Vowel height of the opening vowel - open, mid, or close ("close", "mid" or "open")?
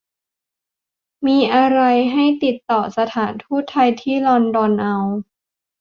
close